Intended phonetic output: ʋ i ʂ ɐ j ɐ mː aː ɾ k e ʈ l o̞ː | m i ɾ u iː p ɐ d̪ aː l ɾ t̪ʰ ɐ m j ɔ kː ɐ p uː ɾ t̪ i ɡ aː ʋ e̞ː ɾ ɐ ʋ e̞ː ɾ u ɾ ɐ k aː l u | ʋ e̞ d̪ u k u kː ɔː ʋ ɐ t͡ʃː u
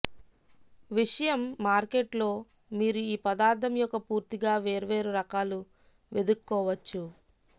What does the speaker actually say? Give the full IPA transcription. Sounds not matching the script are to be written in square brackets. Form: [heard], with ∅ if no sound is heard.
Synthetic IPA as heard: ʋ i ʂ ɐ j ɐ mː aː ɾ k e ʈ l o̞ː | m [iː] ɾ u iː p ɐ d̪ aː [∅] ɾ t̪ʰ ɐ m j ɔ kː ɐ p uː ɾ t̪ i ɡ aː ʋ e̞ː ɾ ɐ ʋ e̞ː ɾ u ɾ ɐ k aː l u | ʋ e̞ d̪ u k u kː ɔː ʋ ɐ t͡ʃː u